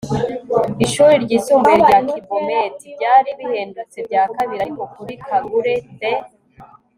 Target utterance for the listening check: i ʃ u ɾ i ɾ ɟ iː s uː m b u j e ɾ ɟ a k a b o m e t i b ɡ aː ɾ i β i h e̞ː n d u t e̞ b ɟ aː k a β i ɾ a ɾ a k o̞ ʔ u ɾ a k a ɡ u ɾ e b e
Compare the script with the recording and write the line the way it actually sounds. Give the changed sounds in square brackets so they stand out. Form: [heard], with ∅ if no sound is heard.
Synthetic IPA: i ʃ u ɾ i ɾ ɟ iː s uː m b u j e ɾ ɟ a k [i] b o m e t i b [ɟ] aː ɾ i β i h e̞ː n d u [t͡s] e̞ b ɟ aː k a β i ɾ a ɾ [i] k o̞ [k] u ɾ [i] k a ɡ u ɾ e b e